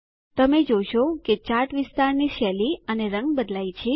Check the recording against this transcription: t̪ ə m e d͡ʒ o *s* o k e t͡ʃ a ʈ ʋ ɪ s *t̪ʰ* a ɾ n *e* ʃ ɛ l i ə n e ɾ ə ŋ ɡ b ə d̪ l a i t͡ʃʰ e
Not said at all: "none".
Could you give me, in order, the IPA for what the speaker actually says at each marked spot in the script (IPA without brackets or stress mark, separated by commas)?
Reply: ʃ, t̪, i